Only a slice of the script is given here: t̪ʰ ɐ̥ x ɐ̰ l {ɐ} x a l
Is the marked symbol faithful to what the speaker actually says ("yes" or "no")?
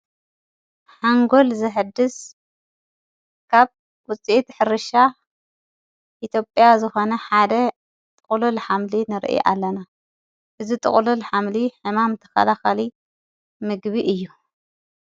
no